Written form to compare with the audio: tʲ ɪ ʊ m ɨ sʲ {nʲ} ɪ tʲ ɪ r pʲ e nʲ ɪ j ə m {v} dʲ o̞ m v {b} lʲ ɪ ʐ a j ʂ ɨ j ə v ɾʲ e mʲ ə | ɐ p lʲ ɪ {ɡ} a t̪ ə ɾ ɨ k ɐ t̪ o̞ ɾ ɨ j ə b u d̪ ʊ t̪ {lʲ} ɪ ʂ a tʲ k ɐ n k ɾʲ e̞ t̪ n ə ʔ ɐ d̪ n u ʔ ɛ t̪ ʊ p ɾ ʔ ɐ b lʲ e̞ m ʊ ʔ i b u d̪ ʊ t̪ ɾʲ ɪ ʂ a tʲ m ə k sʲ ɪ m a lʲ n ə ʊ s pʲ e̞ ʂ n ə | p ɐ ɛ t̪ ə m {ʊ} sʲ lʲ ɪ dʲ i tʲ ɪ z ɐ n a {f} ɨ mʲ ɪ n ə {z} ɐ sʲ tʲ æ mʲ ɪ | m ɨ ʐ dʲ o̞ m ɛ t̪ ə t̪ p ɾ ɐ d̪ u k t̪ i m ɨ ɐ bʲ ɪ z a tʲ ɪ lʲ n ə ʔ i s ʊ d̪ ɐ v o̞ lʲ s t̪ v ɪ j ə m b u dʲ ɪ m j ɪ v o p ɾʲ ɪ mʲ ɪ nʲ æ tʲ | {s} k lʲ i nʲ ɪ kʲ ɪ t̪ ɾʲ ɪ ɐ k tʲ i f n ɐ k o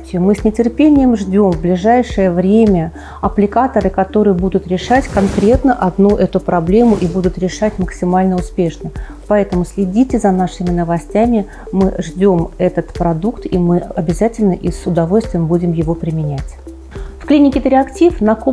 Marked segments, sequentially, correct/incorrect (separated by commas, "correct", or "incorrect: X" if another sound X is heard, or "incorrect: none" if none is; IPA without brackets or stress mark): correct, incorrect: ʐ, correct, incorrect: k, incorrect: ɾʲ, correct, incorrect: ʂ, incorrect: v, incorrect: f